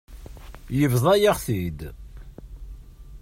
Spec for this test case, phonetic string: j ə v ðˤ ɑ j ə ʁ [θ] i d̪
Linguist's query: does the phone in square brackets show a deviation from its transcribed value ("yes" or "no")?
no